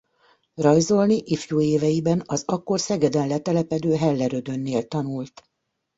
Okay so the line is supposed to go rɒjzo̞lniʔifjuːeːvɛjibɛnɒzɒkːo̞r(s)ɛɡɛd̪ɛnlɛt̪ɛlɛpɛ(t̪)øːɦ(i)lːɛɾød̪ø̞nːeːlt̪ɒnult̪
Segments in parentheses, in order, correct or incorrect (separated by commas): correct, incorrect, incorrect